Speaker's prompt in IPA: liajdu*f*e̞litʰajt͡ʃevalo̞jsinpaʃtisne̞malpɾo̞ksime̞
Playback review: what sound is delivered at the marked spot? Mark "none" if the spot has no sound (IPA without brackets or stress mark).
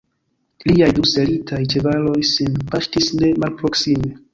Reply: s